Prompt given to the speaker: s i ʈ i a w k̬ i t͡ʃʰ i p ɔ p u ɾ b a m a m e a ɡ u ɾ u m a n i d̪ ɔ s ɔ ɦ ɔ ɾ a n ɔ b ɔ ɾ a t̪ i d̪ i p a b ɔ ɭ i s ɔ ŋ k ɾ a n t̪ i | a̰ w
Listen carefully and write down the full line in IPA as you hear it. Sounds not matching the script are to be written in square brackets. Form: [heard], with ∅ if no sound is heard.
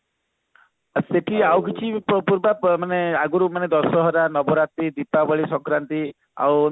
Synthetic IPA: s [e] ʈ i a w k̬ i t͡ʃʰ i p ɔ p u ɾ b a m a [n] e a ɡ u ɾ u m a n [e] d̪ ɔ s ɔ ɦ ɔ ɾ a n ɔ b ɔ ɾ a t̪ i d̪ i p a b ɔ ɭ i s ɔ ŋ k ɾ a n t̪ i | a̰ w